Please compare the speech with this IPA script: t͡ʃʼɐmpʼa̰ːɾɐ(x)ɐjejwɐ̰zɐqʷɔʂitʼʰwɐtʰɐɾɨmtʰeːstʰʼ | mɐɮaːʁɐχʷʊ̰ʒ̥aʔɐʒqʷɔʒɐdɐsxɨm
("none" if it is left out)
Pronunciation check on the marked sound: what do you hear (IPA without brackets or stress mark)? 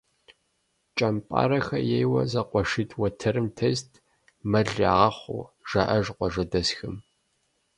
x